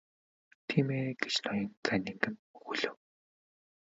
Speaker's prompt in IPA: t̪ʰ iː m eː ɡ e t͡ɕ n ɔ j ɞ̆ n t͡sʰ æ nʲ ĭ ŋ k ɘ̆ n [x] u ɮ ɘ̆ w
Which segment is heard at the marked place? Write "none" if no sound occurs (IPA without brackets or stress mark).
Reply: x